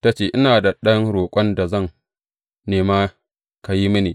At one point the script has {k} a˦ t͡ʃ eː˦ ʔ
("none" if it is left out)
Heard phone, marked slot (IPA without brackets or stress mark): t